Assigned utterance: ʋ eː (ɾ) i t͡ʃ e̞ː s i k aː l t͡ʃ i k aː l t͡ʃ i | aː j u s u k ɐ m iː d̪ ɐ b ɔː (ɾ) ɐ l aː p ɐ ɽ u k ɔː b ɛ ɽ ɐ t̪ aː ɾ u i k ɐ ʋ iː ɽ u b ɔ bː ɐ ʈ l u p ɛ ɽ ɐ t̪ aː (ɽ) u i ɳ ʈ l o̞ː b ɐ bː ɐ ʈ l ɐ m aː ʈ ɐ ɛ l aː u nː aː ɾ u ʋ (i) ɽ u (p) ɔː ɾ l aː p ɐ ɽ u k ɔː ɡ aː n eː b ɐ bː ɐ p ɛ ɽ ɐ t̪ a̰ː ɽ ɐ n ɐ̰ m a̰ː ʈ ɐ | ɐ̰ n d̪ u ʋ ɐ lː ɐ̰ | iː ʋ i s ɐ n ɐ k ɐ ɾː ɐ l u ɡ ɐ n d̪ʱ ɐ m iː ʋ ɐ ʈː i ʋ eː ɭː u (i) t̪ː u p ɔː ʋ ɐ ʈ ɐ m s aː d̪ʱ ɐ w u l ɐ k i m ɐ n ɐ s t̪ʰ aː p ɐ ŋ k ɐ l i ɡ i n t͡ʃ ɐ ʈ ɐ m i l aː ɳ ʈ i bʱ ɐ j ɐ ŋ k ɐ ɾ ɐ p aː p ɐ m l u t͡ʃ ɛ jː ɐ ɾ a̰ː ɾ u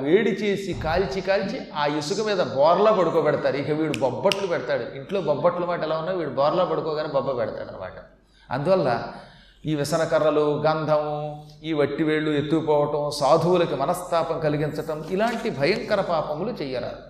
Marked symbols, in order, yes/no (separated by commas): no, yes, yes, no, no, no